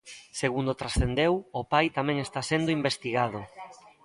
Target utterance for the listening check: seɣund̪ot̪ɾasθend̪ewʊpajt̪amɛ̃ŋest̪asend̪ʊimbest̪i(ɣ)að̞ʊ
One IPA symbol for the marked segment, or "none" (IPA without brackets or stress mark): ɣ